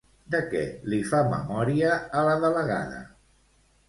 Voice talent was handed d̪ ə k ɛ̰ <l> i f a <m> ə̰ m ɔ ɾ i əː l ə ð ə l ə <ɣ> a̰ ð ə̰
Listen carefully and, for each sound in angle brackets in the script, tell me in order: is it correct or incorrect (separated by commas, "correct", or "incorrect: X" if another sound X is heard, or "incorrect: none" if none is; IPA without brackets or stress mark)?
correct, correct, correct